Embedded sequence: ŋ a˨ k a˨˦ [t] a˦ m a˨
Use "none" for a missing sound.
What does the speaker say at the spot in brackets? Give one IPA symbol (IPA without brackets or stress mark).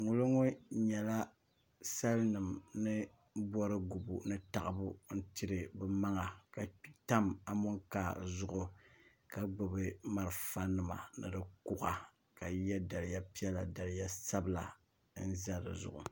t